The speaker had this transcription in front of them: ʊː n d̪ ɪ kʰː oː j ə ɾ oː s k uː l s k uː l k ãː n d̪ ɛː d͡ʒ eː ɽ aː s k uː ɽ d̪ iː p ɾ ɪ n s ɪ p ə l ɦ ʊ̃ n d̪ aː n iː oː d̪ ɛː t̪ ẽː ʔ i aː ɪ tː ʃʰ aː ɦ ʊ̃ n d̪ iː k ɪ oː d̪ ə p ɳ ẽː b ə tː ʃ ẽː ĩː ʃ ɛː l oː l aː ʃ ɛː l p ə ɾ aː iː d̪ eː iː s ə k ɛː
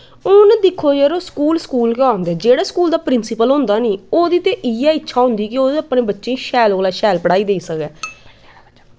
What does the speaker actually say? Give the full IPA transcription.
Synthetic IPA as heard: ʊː n d̪ ɪ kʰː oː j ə ɾ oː s k uː l s k uː l k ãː n d̪ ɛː d͡ʒ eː ɽ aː s k uː l d̪ aː p ɾ ɪ n s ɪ p ə l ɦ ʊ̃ n d̪ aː n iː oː d̪ iː t̪ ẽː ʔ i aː ɪ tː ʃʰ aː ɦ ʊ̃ n d̪ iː k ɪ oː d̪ ə p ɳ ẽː b ə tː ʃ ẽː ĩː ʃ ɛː l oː l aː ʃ ɛː l p ə ɽ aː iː d̪ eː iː s ə k ɛː